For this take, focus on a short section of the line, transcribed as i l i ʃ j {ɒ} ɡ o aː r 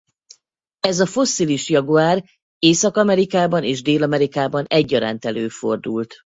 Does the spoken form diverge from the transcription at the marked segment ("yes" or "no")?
no